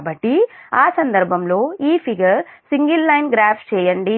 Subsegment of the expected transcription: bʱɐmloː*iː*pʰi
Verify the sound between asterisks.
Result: correct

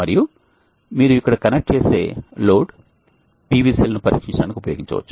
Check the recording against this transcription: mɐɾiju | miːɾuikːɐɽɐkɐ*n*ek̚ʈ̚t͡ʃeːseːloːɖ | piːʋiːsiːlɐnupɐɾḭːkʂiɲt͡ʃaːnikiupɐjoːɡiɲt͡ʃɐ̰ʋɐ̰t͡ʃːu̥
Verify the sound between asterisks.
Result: correct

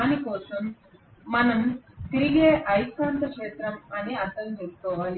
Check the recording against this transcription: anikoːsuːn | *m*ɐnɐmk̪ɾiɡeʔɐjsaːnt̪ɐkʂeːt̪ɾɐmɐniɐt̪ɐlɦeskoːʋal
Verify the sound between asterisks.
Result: correct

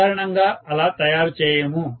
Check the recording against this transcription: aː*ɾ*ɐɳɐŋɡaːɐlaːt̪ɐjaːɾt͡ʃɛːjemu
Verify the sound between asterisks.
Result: correct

